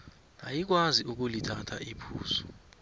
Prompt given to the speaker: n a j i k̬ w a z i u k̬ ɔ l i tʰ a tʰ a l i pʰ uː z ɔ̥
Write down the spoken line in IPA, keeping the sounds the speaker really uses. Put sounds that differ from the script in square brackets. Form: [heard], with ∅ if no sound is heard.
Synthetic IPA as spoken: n a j i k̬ w a z i u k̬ [u] l i tʰ a tʰ a [∅] i pʰ uː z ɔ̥

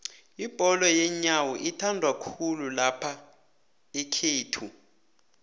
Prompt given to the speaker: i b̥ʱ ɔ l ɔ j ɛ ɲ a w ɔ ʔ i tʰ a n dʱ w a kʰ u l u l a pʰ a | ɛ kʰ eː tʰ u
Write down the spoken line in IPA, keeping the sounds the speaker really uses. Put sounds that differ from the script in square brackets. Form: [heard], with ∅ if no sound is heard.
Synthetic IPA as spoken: i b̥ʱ ɔ l ɔ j ɛ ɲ a w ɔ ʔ i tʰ a n dʱ w a kʰ u l u l a pʰ a | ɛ kʰ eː tʰ u

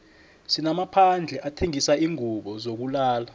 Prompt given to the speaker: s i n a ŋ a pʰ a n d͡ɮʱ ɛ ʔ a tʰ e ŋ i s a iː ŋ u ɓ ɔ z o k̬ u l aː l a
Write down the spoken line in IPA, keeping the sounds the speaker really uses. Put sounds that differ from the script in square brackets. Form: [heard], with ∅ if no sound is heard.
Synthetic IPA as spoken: s i n a [m] a pʰ a n d͡ɮʱ ɛ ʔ a tʰ e ŋ i s a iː ŋ u ɓ ɔ z o k̬ u l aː l a

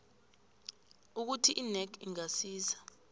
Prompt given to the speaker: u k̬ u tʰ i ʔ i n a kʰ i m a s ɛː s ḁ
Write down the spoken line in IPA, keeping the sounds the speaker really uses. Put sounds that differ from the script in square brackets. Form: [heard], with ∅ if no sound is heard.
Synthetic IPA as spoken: u k̬ u tʰ i ʔ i n [ɛ] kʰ i [ŋ] a s [iː] s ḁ

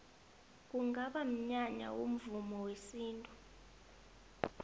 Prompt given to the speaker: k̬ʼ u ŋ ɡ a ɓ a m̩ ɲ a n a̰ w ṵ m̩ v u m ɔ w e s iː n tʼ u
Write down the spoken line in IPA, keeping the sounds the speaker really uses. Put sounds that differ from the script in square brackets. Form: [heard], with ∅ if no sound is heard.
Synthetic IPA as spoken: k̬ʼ u ŋ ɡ a ɓ a m̩ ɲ a [ɲ] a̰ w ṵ m̩ v u m ɔ w e s iː n tʼ u

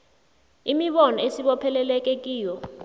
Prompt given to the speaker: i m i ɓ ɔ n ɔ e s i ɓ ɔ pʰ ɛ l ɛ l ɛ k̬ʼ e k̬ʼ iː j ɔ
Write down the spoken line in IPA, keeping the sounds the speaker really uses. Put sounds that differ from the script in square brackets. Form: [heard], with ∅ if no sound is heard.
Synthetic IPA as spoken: i m i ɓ ɔ n ɔ e s i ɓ ɔ pʰ ɛ l ɛ l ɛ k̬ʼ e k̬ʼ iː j ɔ

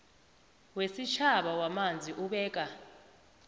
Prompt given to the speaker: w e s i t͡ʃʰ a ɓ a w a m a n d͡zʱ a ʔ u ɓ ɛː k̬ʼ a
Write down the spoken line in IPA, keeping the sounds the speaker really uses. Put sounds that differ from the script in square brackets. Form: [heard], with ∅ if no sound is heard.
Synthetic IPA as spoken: w e s i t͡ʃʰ a ɓ a w a m a n d͡zʱ [i] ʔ u ɓ ɛː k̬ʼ a

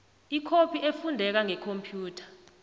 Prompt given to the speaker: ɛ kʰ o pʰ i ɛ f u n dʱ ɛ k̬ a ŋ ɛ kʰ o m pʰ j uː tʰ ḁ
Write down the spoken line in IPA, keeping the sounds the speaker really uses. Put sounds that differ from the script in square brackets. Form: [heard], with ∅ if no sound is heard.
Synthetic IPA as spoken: [i] kʰ o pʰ i [e] f u n dʱ ɛ k̬ a ŋ ɛ kʰ o m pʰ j uː tʰ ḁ

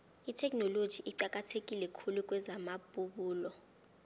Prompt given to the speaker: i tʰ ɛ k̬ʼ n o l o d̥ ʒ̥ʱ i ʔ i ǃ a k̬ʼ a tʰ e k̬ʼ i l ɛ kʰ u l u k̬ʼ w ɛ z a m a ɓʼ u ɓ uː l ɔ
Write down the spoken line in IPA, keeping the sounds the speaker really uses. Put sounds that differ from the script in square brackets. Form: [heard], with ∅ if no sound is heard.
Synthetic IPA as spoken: i tʰ ɛ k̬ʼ n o l o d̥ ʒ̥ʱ i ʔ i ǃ a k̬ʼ a tʰ e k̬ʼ i l ɛ kʰ u l u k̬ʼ w ɛ z a m a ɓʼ u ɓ uː l ɔ

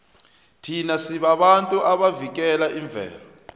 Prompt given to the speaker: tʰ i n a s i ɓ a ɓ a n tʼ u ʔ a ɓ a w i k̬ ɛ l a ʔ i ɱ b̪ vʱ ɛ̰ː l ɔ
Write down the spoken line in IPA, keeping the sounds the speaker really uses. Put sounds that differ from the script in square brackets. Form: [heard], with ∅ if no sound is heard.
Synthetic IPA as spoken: tʰ i n a s i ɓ a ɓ a n tʼ u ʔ a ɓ a [v] i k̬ ɛ l a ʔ i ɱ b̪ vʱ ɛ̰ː l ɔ

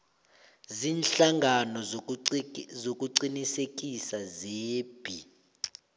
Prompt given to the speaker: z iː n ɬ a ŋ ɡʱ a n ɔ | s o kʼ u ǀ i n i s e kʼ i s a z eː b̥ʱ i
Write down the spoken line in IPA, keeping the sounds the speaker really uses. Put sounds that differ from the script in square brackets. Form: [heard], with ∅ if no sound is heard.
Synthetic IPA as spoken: z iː n ɬ a ŋ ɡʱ a n ɔ | [z] o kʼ u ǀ i n i s e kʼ i s a z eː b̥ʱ i

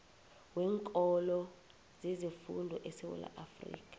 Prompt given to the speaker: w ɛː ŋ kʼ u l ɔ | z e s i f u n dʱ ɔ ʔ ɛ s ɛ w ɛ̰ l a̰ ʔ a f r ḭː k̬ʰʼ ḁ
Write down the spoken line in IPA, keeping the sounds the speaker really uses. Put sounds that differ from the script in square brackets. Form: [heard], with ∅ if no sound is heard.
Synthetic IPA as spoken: w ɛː ŋ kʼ [ɔ] l ɔ | z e [z] i f u n dʱ ɔ ʔ ɛ s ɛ w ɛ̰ l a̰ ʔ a f r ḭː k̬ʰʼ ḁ

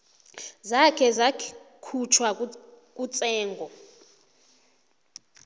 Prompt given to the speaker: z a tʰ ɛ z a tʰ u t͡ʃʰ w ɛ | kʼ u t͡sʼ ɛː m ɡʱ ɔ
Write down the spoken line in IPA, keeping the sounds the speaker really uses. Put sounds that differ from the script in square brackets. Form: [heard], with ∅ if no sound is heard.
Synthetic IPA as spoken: z a [kʰ] ɛ z a [kʰ] u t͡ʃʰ w [a] | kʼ u t͡sʼ ɛː [ŋ] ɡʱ ɔ

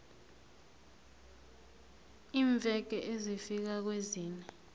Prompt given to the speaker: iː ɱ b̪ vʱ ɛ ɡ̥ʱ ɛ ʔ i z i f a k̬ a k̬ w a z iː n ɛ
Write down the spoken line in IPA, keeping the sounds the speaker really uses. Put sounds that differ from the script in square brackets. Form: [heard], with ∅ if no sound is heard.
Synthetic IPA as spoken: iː ɱ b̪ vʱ ɛ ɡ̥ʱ ɛ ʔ [e] z i f [i] k̬ a k̬ w [e] z iː n ɛ

